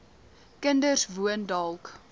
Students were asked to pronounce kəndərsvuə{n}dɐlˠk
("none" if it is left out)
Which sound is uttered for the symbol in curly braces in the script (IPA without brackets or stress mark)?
n